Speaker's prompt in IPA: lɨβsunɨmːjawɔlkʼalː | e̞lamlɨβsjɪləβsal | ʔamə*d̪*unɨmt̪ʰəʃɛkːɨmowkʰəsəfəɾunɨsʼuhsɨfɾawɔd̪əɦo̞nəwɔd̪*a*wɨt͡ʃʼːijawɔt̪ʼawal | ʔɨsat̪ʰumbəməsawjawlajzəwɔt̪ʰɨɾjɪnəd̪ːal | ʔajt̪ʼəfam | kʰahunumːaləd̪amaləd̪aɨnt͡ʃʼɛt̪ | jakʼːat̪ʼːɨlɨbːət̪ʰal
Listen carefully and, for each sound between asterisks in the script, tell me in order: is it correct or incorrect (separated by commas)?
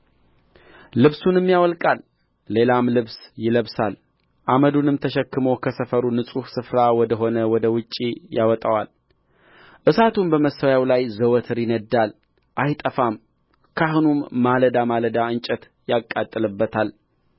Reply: correct, incorrect